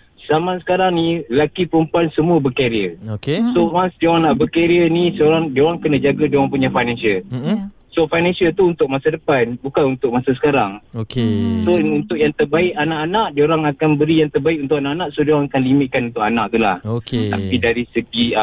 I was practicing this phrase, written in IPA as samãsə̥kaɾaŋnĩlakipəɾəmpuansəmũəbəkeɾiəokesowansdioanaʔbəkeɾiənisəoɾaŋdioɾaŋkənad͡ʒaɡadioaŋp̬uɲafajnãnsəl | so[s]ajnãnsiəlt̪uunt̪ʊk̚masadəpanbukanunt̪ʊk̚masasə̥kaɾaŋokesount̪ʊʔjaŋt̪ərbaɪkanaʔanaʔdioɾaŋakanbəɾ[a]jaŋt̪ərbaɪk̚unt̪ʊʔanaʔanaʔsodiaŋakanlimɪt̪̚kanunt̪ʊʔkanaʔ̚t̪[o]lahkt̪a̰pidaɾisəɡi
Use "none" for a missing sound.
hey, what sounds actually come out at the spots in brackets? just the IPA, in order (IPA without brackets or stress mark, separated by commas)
f, i, u